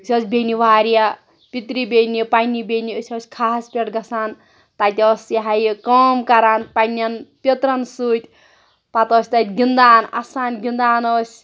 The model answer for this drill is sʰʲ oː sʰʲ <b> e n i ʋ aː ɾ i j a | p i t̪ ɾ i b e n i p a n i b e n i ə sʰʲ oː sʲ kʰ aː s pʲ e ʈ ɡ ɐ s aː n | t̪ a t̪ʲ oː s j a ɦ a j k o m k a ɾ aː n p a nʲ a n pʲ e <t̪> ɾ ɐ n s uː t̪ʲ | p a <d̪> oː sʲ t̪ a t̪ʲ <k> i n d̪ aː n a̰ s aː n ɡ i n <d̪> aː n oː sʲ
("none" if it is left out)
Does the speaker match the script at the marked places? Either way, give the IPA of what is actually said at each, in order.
b, t̪, t̪, ɡ, d̪

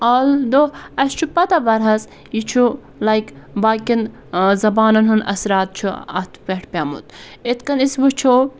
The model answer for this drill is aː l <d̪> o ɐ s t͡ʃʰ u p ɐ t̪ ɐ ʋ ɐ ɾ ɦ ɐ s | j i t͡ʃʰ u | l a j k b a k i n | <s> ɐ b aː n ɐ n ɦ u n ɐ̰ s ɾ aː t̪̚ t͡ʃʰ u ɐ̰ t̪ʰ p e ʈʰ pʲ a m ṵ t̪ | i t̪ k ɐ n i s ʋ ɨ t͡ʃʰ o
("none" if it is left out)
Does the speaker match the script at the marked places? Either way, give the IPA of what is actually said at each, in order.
d̪, z

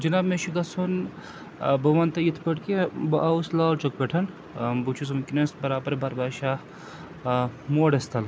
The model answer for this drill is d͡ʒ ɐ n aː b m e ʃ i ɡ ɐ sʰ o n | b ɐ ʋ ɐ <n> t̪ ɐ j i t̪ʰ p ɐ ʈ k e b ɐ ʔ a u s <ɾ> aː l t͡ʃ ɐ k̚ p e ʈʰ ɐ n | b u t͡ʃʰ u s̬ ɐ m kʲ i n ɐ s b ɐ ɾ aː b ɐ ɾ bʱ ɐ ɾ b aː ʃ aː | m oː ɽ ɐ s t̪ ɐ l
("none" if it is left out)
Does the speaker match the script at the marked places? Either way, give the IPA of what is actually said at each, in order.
n, l

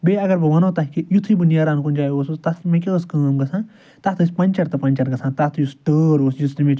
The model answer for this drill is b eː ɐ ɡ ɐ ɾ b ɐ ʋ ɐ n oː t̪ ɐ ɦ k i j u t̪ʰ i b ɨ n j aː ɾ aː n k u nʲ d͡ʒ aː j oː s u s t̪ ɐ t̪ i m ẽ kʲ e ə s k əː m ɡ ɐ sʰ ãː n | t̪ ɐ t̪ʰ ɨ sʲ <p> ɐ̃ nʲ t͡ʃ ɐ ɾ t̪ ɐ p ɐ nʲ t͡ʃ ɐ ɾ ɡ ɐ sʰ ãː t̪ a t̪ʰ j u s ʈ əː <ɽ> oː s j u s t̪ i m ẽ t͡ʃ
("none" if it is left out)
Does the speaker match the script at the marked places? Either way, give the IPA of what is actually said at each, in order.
p, ɾ

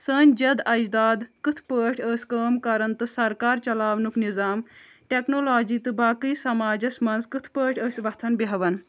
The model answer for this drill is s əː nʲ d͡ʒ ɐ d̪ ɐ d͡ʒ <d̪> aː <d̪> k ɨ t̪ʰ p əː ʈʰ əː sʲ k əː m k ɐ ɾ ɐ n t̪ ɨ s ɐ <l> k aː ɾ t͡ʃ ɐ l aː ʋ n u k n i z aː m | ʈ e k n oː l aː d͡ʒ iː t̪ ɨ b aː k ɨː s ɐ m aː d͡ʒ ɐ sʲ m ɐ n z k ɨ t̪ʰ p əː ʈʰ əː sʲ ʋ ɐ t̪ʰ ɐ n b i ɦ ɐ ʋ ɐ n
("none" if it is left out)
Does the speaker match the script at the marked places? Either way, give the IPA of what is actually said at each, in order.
d̪, d̪, ɾ

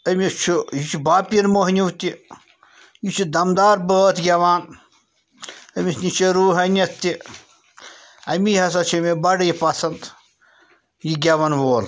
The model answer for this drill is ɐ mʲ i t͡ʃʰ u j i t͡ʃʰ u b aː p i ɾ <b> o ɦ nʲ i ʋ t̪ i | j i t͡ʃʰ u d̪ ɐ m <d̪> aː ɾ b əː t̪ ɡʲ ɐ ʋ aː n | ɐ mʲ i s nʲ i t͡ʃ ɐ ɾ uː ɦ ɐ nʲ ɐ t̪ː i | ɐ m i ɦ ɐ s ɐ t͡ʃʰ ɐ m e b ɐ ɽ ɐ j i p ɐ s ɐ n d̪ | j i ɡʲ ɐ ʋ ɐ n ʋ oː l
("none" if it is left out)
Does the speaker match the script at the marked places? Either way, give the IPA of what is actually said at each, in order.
m, d̪

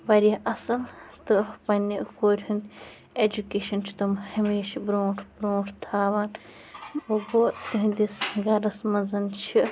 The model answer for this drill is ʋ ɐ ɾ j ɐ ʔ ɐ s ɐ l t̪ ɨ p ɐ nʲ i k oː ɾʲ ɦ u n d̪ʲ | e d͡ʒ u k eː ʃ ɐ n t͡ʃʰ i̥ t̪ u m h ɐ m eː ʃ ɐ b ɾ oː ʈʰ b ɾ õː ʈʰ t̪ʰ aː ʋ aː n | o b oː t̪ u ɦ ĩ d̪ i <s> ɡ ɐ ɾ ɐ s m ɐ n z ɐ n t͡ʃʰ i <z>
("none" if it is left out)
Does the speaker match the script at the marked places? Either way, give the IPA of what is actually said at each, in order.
s, none

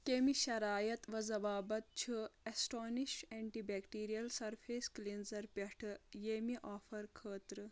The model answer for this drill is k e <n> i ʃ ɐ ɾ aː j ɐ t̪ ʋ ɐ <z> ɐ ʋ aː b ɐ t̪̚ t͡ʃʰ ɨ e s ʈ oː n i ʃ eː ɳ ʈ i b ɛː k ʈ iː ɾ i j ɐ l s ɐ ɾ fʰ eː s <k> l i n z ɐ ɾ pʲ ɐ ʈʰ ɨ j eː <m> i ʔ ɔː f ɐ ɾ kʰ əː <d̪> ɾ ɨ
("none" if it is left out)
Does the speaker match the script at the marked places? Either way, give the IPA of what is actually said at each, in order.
m, z, k, m, t̪

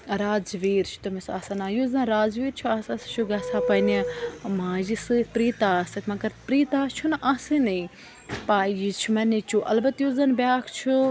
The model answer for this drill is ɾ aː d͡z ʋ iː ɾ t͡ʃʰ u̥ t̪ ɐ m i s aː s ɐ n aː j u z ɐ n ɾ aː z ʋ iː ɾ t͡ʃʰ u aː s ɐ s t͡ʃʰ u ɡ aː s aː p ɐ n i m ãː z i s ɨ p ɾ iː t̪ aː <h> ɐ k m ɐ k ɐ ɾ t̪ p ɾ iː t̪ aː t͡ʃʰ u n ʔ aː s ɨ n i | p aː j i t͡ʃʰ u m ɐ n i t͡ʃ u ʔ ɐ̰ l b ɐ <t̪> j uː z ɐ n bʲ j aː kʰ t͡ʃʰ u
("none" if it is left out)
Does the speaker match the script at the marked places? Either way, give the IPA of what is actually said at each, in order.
s, t̪

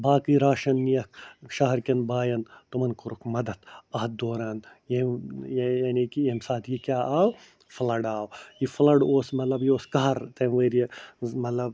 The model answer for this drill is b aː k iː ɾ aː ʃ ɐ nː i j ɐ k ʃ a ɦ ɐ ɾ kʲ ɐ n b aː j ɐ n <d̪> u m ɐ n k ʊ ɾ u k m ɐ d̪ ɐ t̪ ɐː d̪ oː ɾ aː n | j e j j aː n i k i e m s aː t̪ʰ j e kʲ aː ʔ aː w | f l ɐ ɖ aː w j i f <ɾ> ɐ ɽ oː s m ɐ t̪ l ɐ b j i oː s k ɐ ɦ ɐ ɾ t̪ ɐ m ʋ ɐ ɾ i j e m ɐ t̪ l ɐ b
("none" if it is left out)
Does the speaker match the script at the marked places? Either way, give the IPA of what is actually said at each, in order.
t̪, l

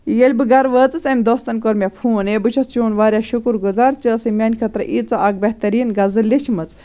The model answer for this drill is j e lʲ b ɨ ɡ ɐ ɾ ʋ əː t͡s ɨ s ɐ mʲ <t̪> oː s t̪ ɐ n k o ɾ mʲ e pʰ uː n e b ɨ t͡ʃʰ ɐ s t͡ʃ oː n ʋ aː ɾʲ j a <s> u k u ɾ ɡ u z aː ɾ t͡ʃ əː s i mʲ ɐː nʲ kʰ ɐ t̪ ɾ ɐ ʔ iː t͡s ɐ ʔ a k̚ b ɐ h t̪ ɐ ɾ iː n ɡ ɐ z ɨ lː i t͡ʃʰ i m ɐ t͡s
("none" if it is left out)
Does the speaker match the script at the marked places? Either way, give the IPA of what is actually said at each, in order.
d̪, ʃ

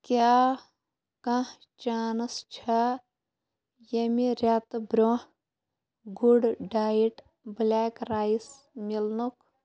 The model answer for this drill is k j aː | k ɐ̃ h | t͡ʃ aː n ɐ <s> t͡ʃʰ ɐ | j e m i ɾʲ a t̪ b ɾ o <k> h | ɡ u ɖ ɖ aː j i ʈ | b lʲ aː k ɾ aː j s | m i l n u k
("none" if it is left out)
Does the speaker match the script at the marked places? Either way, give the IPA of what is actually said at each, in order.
s, none

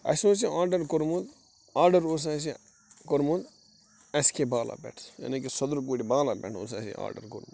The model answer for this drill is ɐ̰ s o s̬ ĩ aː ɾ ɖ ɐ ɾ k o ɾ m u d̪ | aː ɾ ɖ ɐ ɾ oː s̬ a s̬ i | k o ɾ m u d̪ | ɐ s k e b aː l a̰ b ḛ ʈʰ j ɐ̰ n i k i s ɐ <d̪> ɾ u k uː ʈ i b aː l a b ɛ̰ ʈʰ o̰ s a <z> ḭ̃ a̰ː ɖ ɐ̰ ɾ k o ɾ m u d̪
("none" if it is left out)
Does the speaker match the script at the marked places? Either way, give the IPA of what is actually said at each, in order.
d̪, s

